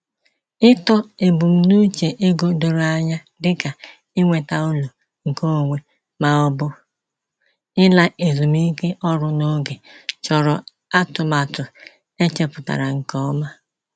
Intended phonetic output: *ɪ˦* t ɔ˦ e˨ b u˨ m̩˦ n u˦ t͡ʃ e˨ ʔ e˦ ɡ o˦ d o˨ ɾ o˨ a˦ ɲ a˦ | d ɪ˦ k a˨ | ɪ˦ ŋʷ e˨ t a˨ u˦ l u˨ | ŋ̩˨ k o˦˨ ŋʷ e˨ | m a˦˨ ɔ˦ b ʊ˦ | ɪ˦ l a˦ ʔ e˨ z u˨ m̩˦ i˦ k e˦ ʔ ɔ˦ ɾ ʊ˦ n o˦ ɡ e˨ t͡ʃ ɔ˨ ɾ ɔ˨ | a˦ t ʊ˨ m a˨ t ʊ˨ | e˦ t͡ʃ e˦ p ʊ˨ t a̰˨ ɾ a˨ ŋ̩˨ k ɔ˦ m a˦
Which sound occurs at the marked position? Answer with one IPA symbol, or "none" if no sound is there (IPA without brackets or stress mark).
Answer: ɪ˦